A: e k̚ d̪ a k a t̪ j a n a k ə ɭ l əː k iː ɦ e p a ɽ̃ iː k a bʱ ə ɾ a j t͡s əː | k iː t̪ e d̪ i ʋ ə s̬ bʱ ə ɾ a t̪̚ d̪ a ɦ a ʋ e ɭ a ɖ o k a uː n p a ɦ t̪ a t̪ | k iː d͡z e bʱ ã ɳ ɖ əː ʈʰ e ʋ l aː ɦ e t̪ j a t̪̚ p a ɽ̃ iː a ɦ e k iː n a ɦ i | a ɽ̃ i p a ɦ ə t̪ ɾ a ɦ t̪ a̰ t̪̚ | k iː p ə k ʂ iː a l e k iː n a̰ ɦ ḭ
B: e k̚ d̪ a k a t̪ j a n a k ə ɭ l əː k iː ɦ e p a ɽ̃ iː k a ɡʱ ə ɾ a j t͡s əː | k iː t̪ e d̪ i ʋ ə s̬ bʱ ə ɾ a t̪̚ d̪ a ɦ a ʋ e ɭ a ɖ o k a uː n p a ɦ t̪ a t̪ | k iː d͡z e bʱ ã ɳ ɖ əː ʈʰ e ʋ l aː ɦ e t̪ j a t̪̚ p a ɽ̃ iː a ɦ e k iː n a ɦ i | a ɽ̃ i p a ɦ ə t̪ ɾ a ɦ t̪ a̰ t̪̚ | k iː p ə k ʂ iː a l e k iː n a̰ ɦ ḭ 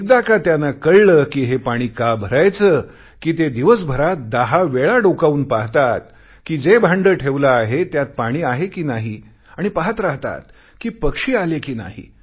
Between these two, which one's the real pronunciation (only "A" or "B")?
A